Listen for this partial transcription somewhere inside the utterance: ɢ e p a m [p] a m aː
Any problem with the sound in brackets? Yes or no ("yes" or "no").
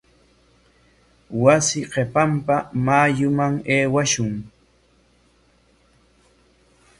no